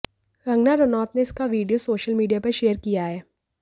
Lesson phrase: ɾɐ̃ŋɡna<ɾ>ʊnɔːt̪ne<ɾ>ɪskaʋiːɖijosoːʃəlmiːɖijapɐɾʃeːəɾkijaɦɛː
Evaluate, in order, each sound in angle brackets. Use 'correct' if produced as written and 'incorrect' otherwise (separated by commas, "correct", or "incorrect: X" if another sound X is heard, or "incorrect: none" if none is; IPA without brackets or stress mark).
correct, incorrect: none